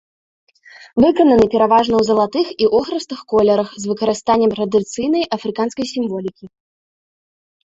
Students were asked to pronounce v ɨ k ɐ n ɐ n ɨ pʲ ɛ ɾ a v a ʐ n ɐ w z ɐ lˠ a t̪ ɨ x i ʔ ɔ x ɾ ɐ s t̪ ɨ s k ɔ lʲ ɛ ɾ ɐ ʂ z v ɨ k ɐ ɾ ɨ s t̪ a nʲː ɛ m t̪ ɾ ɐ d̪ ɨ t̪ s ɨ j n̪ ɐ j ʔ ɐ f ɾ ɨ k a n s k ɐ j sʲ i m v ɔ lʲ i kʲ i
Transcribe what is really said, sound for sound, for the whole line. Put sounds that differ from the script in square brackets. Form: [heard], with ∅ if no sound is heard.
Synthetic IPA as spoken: v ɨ k ɐ n ɐ n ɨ pʲ ɛ ɾ a v a ʐ n ɐ w z ɐ lˠ a t̪ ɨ x i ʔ ɔ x ɾ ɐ s t̪ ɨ [x] k ɔ lʲ ɛ ɾ ɐ [x] z v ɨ k ɐ ɾ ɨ s t̪ a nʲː ɛ m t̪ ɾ ɐ d̪ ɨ t̪ s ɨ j n̪ ɐ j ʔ ɐ f ɾ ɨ k a n s k ɐ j sʲ i m v ɔ lʲ i kʲ i